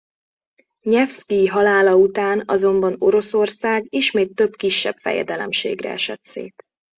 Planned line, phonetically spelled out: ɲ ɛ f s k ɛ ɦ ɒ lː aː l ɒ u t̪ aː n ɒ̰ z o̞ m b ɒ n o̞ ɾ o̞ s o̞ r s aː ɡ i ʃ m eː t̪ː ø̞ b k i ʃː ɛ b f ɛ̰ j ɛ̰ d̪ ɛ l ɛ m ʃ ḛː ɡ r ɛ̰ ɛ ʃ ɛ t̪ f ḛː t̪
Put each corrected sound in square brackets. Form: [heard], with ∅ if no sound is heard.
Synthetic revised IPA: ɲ ɛ f s k [i] ɦ ɒ [l] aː l ɒ u t̪ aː n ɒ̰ z o̞ m b ɒ n o̞ ɾ o̞ s o̞ r s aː ɡ i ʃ m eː t̪ː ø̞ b k i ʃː ɛ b f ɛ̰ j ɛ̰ d̪ ɛ l ɛ m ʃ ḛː ɡ r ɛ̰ ɛ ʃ ɛ t̪ [s] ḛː t̪

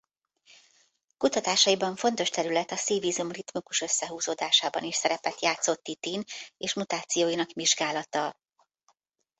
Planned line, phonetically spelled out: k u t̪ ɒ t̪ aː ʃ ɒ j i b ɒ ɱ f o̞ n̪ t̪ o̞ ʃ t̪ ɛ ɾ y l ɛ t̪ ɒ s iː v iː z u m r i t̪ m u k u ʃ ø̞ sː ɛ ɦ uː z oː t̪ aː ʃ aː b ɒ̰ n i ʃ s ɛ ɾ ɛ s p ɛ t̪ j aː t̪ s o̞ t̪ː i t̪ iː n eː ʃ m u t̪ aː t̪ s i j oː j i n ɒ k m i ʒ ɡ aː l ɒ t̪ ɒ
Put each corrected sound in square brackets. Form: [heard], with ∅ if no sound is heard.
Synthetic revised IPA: k u t̪ ɒ t̪ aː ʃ ɒ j i b ɒ ɱ f o̞ n̪ t̪ o̞ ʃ t̪ ɛ ɾ y l ɛ t̪ ɒ s iː v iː z u m r i t̪ m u k u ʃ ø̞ sː ɛ ɦ uː z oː [d̪] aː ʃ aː b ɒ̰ n i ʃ s ɛ ɾ ɛ [∅] p ɛ t̪ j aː t̪ s o̞ t̪ː i t̪ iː n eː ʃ m u t̪ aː t̪ s i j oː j i n ɒ k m i ʒ ɡ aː l ɒ t̪ ɒ

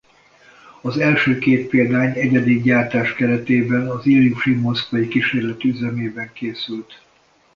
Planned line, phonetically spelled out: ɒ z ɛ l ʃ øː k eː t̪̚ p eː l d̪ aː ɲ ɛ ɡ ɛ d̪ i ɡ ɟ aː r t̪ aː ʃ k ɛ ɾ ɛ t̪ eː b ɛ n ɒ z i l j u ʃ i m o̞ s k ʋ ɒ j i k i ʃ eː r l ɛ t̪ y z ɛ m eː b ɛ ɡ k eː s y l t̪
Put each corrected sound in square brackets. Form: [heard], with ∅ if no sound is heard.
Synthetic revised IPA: ɒ z ɛ l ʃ øː k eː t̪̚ p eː l d̪ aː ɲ ɛ [ɟ] ɛ d̪ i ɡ ɟ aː r t̪ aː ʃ k ɛ ɾ ɛ t̪ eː b ɛ n ɒ z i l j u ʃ i m o̞ s k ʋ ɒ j i k i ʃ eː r l ɛ t̪ y z ɛ m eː b ɛ [ŋ] k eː s y l t̪

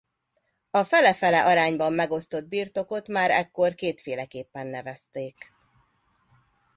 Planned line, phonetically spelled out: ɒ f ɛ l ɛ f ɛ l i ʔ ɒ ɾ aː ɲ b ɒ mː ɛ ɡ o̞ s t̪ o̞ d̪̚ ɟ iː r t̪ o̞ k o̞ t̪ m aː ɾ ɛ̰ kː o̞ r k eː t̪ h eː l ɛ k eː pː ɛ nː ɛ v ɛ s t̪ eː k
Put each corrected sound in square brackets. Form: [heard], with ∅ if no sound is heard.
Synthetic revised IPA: ɒ f ɛ l ɛ f ɛ l [ɛ] ʔ ɒ ɾ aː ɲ b ɒ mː ɛ ɡ o̞ s t̪ o̞ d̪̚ [b] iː r t̪ o̞ k o̞ t̪ m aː ɾ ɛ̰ kː o̞ r k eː t̪ [f] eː l ɛ k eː pː ɛ nː ɛ v ɛ s t̪ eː k

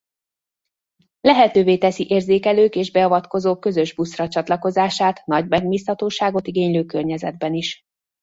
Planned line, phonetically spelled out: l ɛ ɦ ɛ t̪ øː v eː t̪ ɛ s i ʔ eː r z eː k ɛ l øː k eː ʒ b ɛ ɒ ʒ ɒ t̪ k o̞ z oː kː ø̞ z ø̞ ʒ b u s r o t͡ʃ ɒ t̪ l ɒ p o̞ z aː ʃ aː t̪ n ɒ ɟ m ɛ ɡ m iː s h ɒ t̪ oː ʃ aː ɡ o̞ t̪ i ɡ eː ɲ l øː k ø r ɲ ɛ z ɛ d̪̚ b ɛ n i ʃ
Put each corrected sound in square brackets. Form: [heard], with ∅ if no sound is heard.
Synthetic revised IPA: l ɛ ɦ ɛ t̪ øː v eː t̪ ɛ s i ʔ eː r z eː k ɛ l øː k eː ʒ b ɛ ɒ [v] ɒ t̪ k o̞ z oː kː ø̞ z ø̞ ʒ b u s r [ɒ] t͡ʃ ɒ t̪ l ɒ [k] o̞ z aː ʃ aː t̪ n ɒ ɟ m ɛ ɡ m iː s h ɒ t̪ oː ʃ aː ɡ o̞ t̪ i ɡ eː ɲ l øː k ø r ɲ ɛ z ɛ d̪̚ b ɛ n i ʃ

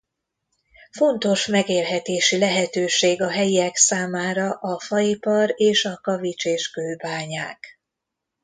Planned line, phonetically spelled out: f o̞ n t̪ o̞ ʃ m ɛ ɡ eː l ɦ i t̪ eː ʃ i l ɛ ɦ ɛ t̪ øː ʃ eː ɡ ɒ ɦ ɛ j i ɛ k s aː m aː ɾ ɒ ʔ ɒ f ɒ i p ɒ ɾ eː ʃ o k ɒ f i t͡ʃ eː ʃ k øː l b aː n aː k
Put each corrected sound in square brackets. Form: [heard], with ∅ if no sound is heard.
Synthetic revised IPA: f o̞ n t̪ o̞ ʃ m ɛ ɡ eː l ɦ [ɛ] t̪ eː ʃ i l ɛ ɦ ɛ t̪ øː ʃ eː ɡ ɒ ɦ ɛ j i ɛ k s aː m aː ɾ ɒ ʔ ɒ f ɒ i p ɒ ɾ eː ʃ [ɒ] k ɒ [v] i t͡ʃ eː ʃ k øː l b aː [ɲ] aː k

